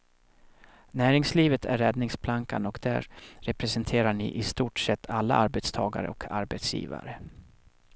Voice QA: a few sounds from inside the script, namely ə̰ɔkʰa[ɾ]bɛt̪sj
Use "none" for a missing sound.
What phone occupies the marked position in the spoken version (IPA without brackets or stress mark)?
ɾ